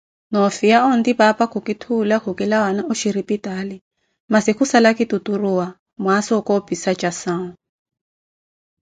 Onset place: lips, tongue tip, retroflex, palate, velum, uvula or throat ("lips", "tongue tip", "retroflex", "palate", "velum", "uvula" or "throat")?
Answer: tongue tip